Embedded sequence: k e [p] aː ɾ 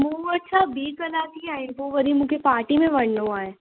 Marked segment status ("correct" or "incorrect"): correct